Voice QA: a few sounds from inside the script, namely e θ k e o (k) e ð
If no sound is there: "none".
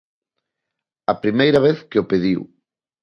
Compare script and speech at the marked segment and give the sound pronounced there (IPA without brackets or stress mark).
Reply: p